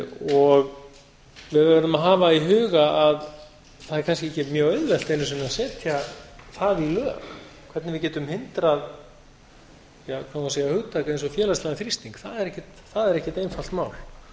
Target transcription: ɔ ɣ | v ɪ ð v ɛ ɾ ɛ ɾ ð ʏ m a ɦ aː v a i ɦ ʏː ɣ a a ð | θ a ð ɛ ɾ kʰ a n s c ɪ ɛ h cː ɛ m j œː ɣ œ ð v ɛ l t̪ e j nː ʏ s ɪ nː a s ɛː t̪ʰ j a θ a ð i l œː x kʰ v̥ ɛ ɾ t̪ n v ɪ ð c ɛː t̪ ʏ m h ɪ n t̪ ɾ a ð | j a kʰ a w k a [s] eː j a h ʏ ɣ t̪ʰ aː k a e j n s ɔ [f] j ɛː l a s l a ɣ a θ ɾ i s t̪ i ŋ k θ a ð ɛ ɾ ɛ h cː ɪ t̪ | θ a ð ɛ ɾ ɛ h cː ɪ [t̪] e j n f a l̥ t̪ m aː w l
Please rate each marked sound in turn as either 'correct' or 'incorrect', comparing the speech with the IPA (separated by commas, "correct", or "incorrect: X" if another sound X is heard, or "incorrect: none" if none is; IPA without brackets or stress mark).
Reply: correct, correct, correct